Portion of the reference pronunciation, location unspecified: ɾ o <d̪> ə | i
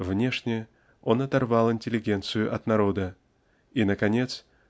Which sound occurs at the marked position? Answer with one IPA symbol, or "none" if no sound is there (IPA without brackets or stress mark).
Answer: d̪